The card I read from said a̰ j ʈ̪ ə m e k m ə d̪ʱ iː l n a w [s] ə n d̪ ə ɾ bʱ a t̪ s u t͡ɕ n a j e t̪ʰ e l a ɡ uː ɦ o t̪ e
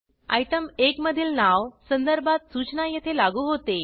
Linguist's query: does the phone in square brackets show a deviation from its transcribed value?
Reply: no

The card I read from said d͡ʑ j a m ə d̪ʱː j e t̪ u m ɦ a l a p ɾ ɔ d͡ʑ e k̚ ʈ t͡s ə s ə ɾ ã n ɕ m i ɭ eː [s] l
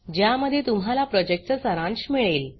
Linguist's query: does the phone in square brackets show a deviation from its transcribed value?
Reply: yes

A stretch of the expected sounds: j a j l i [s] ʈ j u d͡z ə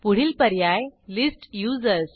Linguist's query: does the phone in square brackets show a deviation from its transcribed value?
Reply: no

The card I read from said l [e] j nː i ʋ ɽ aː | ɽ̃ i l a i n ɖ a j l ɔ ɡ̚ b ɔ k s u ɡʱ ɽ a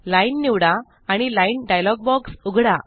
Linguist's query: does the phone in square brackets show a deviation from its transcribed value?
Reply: yes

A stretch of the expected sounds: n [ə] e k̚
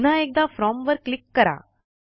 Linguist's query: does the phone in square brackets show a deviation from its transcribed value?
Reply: yes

